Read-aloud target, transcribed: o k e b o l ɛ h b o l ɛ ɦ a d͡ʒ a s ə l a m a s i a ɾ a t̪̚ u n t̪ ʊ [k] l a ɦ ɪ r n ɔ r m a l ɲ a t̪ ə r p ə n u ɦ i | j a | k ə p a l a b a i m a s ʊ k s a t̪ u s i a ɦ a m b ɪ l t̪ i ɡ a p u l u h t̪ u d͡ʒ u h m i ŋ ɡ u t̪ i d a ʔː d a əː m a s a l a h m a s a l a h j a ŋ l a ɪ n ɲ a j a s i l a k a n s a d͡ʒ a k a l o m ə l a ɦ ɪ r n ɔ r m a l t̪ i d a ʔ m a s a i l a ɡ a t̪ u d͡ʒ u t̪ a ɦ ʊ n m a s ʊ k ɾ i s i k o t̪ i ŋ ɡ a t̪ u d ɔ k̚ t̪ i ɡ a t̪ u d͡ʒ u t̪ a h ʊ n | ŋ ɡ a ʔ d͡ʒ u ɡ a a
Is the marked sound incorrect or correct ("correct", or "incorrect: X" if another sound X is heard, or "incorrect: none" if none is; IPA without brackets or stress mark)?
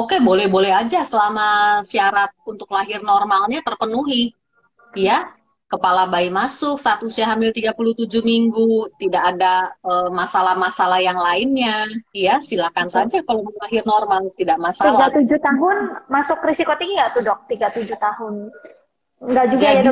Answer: correct